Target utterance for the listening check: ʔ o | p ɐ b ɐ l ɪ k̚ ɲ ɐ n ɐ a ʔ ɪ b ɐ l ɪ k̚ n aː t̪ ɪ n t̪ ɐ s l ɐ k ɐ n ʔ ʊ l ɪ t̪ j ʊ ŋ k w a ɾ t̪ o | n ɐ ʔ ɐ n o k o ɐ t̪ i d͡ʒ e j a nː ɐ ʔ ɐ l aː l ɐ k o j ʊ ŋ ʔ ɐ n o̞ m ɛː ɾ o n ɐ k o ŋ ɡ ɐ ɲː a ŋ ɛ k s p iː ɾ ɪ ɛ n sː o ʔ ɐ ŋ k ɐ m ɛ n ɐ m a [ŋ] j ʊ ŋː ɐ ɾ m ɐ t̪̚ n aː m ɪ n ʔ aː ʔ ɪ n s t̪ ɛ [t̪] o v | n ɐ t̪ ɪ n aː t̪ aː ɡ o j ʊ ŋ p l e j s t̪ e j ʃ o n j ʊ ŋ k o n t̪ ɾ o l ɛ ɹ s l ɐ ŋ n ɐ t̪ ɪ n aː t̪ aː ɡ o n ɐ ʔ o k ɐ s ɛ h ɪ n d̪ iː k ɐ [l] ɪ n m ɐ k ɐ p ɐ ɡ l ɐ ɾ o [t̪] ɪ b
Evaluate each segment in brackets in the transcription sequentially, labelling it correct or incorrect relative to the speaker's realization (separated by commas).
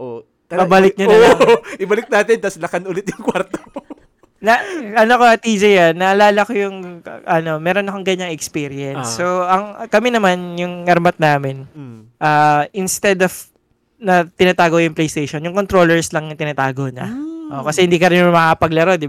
incorrect, incorrect, incorrect, incorrect